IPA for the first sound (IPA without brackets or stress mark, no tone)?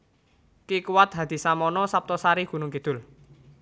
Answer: k